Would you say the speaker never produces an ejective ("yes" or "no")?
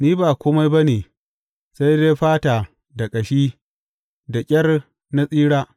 no